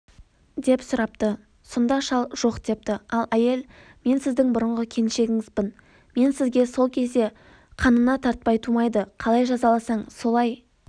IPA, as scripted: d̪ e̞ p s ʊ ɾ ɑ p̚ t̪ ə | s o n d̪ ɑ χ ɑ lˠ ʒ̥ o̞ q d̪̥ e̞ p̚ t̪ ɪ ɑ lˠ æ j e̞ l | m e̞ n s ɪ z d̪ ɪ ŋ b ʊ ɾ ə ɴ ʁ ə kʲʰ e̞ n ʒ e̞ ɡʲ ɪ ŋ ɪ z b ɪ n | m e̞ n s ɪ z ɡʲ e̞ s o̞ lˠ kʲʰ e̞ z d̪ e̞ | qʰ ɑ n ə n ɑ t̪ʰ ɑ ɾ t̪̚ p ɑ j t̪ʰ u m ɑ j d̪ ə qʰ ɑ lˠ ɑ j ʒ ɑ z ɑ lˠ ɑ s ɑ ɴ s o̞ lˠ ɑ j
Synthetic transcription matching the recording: d̪ e̞ p s ʊ ɾ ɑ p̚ t̪ ə | s o n d̪ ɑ ʃ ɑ lˠ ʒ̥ o̞ q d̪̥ e̞ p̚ t̪ ɪ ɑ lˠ æ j e̞ l | m e̞ n s ɪ z d̪ ɪ ŋ b ʊ ɾ ə ɴ ʁ ə kʲʰ e̞ n ʃ e̞ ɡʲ ɪ ŋ ɪ z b ɪ n | m e̞ n s ɪ z ɡʲ e̞ s o̞ lˠ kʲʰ e̞ z d̪ e̞ | qʰ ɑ n ə n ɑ t̪ʰ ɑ ɾ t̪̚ p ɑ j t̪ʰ u m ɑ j d̪ ə qʰ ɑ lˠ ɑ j ʒ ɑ z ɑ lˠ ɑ s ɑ ɴ s o̞ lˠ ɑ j